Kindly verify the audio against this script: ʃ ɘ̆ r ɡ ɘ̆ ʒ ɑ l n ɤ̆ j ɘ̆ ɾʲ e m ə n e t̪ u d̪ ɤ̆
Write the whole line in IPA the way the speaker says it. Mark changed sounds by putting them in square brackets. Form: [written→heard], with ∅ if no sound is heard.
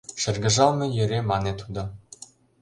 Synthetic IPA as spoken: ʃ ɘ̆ r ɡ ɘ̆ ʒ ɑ l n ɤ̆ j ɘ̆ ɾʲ e m [ə→ɑ] n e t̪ u d̪ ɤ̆